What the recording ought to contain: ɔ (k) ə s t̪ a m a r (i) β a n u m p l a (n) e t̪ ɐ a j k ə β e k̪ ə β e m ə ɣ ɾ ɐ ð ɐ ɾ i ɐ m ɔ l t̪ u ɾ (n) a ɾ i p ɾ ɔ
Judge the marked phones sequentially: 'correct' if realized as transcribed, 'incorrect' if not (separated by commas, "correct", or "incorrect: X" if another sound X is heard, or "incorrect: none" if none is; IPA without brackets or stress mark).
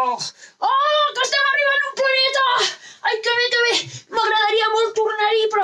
correct, correct, correct, correct